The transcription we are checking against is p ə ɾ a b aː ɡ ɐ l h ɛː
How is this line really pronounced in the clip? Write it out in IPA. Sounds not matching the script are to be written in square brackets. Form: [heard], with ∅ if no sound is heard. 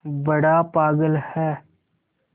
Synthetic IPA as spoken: [b] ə [ɽ] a [p] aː ɡ [ə] l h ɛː